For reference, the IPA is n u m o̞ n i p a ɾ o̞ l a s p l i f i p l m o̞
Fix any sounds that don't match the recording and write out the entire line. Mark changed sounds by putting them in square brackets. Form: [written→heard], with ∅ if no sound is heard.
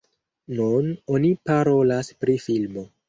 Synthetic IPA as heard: n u [m→n] o̞ n i p a ɾ o̞ l a s p [l→ɾ] i f i [p→∅] l m o̞